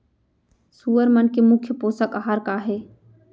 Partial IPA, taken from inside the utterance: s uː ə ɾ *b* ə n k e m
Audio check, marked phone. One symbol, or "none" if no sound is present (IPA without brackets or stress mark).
m